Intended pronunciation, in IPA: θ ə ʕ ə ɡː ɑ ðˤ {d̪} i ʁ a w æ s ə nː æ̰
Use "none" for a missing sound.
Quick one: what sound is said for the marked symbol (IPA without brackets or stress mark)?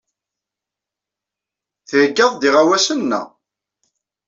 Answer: d̪